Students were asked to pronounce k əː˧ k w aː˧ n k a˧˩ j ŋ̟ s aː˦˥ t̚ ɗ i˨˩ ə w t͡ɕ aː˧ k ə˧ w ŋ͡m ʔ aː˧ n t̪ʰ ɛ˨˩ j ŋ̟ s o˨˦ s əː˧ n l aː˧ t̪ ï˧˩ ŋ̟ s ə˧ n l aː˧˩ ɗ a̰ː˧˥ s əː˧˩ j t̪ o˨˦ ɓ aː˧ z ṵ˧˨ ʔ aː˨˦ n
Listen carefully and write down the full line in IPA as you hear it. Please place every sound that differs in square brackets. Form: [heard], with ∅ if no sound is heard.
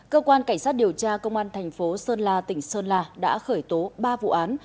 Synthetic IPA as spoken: k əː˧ k w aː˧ n k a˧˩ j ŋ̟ s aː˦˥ t̚ ɗ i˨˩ ə w t͡ɕ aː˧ k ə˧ w ŋ͡m ʔ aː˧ n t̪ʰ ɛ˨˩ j ŋ̟ [f] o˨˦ s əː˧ n l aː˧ t̪ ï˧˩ ŋ̟ s [əː˧] n l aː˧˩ ɗ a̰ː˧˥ [x] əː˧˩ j t̪ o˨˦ ɓ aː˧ [v] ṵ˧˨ ʔ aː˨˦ n